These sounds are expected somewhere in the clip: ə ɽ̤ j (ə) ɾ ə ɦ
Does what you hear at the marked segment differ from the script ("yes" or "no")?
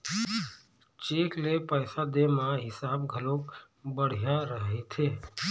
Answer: yes